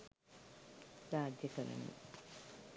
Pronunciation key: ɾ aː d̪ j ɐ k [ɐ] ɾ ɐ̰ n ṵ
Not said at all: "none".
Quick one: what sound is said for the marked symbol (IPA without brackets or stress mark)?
ɐ